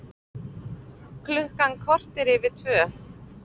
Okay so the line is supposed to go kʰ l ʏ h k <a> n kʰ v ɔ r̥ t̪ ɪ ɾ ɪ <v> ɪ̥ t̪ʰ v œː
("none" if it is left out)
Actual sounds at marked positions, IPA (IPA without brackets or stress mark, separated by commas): a, v